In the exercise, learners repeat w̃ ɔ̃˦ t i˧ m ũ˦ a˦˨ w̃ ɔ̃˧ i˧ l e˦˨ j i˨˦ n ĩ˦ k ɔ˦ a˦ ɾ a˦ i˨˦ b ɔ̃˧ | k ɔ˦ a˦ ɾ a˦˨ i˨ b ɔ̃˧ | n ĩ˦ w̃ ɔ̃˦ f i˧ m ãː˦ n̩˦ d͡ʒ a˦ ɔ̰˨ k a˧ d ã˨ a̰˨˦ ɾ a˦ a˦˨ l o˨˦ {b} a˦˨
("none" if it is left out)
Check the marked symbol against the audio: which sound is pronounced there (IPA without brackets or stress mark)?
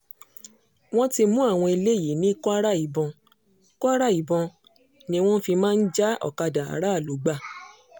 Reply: ɡ͡b